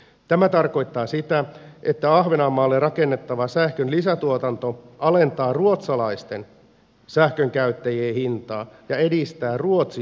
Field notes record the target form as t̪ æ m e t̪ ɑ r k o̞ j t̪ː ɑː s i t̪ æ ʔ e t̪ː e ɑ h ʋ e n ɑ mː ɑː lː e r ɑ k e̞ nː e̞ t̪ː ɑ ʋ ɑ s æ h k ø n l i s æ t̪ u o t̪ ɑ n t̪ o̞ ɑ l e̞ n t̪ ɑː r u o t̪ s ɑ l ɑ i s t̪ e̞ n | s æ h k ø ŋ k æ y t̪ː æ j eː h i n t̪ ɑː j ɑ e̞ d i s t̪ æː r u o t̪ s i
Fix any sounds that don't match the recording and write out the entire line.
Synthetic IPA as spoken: t̪ æ m æ t̪ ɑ r k o̞ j t̪ː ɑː s i t̪ æ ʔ e t̪ː æ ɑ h ʋ e n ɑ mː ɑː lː e r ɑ k e̞ nː e̞ t̪ː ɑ ʋ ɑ s æ h k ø n l i s æ t̪ u o t̪ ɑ n t̪ o̞ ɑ l e̞ n t̪ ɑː r u o t̪ s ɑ l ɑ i s t̪ e̞ n | s æ h k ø ŋ k æ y t̪ː æ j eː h i n t̪ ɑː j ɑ e̞ d i s t̪ æː r u o t̪ s i

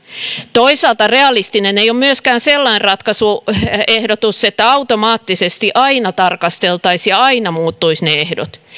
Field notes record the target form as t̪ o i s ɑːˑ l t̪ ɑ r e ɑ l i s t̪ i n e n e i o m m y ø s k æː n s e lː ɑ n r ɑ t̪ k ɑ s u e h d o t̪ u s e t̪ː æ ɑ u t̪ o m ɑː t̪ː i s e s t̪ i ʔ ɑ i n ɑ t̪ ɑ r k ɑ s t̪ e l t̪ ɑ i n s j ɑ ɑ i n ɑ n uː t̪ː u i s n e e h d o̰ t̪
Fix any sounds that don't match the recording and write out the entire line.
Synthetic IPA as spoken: t̪ o i s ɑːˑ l t̪ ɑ r e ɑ l i s t̪ i n e n e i o m m y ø s k æː n s e lː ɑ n r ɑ t̪ k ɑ s u e h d o t̪ u s e t̪ː æ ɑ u t̪ o m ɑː t̪ː i s e s t̪ i ʔ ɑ i n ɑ t̪ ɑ r k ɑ s t̪ e l t̪ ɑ i s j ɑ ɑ i n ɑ m uː t̪ː u i s n e e h d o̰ t̪

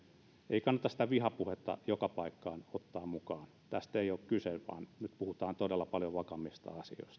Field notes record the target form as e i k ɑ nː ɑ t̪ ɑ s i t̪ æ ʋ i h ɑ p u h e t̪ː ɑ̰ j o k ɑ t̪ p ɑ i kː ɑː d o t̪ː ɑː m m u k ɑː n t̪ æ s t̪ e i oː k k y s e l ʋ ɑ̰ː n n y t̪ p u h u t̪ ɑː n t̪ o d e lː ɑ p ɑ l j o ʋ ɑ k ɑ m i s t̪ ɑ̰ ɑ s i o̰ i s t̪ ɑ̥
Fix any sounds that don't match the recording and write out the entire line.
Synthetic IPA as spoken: e i k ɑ nː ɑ t̪ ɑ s i t̪ æ ʋ i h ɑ p u h e t̪ː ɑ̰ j o k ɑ p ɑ i kː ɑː n o t̪ː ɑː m m u k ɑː n t̪ æ s t̪ e i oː k k y s e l ʋ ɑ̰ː n n y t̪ p u h u t̪ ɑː n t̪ o d e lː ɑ p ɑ l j o ʋ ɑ k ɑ m i s t̪ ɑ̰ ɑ s i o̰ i s t̪ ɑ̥

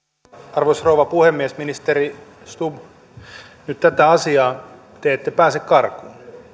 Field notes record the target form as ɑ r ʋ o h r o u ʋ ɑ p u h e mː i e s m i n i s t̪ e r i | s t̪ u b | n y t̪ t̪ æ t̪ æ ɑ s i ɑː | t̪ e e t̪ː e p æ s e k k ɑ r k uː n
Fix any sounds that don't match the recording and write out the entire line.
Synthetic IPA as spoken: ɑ r ʋ o s r o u ʋ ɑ p u h e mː i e s m i n i s t̪ e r i | s t̪ u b | n y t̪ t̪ æ t̪ æ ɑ s i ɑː | t̪ e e t̪ː e p æː s e k k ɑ r k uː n

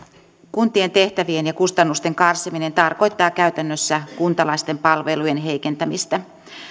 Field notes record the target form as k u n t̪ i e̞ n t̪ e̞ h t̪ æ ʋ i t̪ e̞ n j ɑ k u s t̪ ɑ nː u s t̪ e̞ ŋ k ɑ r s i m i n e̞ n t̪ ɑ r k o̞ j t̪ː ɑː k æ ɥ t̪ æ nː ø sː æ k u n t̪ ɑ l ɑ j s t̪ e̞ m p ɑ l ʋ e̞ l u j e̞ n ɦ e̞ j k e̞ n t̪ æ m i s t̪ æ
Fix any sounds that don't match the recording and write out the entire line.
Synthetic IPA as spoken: k u n t̪ i e̞ n t̪ e̞ h t̪ æ ʋ i e̞ n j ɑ k u s t̪ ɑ nː u s t̪ e̞ ŋ k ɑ r s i m i n e̞ n t̪ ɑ r k o̞ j t̪ː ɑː k æ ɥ t̪ æ nː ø sː æ k u n t̪ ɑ l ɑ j s t̪ e̞ m p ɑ l ʋ e̞ l u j e̞ n ɦ e̞ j k e̞ n t̪ æ m i s t̪ æ

